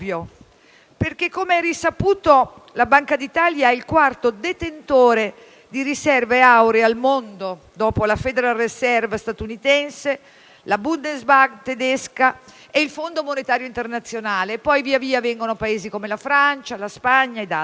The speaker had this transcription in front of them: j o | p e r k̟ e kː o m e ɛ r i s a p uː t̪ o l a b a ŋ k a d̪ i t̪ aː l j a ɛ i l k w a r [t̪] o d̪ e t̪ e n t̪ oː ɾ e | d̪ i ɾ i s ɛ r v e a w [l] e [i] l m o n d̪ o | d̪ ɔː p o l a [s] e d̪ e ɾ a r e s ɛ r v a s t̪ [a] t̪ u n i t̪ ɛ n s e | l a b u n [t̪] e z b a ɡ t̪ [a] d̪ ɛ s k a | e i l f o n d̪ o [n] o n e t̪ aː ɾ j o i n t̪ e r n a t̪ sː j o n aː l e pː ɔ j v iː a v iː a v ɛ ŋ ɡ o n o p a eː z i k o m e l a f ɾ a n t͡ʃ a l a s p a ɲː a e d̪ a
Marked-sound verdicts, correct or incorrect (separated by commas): correct, incorrect, incorrect, incorrect, correct, incorrect, incorrect, incorrect